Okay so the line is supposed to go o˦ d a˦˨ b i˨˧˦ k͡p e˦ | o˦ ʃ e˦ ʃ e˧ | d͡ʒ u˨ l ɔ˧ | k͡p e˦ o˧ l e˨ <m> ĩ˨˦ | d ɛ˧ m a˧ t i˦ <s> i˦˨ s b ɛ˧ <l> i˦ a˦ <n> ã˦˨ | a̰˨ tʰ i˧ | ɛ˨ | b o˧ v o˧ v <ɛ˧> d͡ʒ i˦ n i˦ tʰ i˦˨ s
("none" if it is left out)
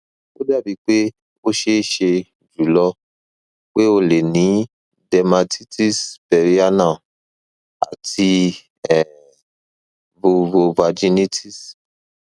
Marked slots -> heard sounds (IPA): n, t, ɾ, n, a˧

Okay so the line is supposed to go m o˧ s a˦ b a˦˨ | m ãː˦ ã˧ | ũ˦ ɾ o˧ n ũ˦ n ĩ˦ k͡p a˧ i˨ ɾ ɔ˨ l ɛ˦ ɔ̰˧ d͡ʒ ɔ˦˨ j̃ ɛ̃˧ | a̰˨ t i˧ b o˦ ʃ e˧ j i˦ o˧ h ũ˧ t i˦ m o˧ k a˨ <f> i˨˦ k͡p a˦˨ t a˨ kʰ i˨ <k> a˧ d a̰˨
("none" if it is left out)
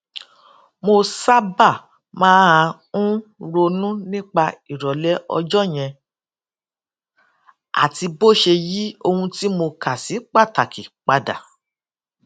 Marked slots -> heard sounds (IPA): s, k͡p

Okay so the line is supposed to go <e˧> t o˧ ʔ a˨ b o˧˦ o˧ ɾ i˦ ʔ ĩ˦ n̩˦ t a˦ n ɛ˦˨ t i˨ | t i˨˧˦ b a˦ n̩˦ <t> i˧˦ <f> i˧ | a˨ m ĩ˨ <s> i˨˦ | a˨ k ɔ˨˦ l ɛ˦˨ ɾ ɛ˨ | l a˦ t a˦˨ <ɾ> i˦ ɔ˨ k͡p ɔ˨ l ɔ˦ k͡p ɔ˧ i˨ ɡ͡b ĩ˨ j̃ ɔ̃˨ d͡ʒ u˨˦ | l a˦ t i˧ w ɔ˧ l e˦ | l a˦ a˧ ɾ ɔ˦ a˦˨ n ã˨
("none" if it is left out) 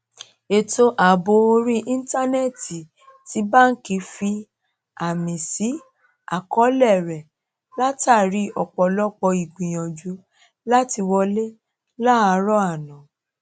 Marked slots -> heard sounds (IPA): e˧, k, f, s, ɾ

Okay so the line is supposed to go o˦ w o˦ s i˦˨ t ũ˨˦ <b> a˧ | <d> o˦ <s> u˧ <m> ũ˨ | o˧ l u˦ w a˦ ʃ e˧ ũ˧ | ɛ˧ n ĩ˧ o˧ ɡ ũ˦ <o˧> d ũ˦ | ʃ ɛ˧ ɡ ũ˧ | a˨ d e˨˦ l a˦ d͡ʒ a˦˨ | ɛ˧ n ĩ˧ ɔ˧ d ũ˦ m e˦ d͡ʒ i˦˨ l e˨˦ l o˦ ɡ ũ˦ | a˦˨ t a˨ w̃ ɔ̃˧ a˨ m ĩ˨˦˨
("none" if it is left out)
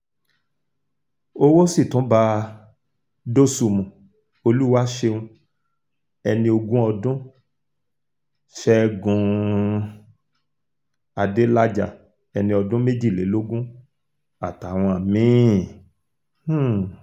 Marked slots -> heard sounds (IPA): b, d, s, m, ɔ˧

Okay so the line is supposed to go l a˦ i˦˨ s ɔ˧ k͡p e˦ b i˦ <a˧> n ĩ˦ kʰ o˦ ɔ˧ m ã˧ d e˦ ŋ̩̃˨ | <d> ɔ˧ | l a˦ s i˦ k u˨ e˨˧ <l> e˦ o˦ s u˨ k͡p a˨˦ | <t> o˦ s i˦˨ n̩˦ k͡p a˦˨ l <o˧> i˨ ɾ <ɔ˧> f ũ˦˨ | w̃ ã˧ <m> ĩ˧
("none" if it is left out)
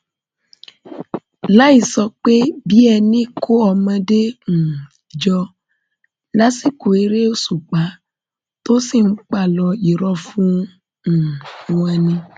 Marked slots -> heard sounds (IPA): ɛ˧, d͡ʒ, ɾ, t, ɔ˧, ɔ˧, n

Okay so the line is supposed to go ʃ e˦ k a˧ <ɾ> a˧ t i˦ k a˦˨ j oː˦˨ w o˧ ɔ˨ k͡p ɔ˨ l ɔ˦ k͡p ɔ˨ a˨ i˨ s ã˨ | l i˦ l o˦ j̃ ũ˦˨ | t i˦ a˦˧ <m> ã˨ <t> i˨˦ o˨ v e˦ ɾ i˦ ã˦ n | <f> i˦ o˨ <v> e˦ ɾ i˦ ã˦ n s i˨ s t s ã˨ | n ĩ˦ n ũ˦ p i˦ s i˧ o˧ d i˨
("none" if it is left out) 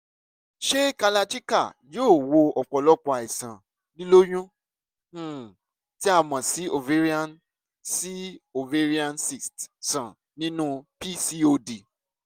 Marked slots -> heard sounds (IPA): l, m, s, s, v

